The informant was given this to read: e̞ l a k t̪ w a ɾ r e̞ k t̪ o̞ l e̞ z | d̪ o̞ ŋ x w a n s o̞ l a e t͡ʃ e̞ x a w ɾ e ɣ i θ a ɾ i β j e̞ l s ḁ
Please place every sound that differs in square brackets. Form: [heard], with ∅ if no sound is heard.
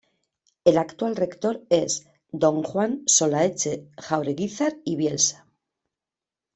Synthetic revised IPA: e̞ l a k t̪ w a [l] r e̞ k t̪ o̞ [ɾ] e̞ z | d̪ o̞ ŋ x w a n s o̞ l a e t͡ʃ e̞ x a w ɾ e ɣ i θ a ɾ i β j e̞ l s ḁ